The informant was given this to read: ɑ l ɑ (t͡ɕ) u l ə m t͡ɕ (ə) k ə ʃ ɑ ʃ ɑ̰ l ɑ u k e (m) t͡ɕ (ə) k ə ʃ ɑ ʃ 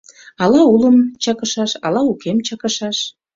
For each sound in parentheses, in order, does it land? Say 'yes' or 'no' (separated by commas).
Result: no, no, yes, no